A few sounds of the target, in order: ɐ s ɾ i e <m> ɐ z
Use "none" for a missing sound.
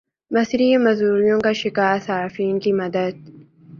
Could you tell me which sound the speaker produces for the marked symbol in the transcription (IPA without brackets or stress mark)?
m